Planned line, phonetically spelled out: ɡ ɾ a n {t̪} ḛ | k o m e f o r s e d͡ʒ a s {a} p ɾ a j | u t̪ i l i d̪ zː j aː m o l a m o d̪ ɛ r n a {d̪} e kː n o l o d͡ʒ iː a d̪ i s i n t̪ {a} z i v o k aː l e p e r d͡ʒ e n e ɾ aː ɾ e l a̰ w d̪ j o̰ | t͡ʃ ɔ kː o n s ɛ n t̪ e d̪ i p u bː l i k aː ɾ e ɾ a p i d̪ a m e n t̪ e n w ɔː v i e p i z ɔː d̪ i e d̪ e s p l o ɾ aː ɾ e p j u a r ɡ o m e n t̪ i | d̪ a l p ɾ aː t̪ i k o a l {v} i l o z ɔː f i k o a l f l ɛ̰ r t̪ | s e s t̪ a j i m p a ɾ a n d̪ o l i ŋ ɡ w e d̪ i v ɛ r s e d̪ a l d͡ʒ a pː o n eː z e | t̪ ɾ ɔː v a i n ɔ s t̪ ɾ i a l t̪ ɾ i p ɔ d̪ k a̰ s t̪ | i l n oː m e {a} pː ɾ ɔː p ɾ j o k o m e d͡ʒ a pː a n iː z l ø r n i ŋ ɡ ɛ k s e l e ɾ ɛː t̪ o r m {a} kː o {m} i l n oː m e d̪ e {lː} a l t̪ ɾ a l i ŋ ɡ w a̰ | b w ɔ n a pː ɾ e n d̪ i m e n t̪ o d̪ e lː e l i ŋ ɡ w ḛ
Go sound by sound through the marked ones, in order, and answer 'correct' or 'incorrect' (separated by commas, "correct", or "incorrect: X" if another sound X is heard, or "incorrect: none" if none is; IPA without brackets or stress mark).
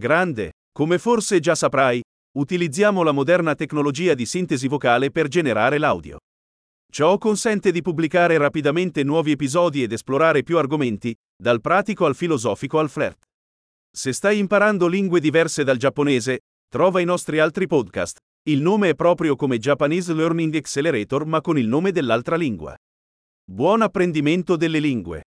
incorrect: d̪, correct, incorrect: t̪, incorrect: e, incorrect: f, incorrect: ɛ, correct, incorrect: n, correct